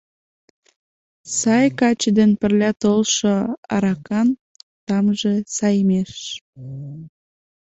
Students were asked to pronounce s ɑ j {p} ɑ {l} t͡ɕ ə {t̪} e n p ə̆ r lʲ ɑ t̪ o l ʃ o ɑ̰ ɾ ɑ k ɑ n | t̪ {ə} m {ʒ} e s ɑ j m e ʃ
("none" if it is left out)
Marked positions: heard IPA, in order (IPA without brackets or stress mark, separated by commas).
k, none, d̪, ɑ, ʒ